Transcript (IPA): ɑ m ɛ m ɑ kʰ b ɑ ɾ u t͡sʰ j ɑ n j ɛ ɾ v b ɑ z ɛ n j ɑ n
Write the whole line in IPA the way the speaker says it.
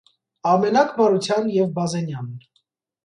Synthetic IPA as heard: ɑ m ɛ n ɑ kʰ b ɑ ɾ u t͡sʰ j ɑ n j ɛ v b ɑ z ɛ n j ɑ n